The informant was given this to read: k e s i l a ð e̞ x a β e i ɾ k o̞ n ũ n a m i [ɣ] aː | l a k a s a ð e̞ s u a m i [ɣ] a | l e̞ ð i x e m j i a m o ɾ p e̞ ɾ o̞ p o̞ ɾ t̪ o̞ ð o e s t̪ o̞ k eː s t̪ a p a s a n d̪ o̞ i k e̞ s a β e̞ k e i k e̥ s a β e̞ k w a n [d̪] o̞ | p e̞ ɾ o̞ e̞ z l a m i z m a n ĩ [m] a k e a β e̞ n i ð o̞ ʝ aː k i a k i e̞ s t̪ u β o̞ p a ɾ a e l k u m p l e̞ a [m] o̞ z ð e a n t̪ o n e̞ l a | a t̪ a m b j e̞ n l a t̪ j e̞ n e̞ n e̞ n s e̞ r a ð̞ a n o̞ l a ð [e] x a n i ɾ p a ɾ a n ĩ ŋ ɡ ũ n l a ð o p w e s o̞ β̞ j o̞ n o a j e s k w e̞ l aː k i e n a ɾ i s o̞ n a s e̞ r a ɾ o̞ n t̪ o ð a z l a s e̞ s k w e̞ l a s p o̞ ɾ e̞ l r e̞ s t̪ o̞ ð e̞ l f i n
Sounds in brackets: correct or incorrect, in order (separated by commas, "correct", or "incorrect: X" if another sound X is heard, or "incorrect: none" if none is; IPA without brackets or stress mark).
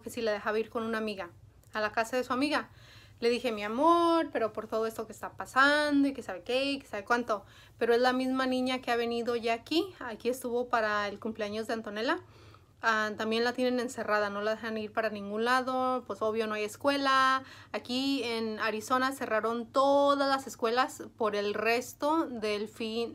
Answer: correct, correct, incorrect: t̪, incorrect: ɲ, incorrect: ɲ, correct